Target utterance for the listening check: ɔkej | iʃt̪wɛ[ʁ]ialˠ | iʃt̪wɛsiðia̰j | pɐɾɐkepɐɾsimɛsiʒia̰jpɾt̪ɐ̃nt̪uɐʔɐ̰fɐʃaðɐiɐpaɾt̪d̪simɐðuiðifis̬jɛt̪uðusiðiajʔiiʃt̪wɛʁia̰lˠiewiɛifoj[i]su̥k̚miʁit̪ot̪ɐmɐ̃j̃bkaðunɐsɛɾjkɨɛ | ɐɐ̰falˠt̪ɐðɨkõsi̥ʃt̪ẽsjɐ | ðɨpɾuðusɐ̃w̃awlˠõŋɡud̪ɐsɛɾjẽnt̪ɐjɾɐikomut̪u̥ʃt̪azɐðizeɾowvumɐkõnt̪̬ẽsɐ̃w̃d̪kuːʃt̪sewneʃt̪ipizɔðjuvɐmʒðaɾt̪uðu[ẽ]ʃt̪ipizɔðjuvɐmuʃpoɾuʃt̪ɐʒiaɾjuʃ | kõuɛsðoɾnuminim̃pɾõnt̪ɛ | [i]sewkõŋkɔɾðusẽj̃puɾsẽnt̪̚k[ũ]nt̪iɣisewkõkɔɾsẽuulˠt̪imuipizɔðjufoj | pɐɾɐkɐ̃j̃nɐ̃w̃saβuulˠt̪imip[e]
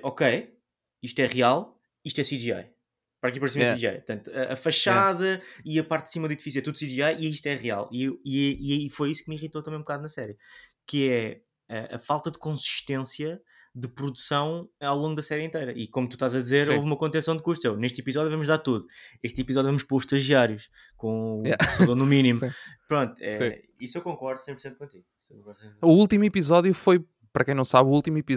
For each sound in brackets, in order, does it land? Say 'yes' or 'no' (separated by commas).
yes, yes, no, yes, no, no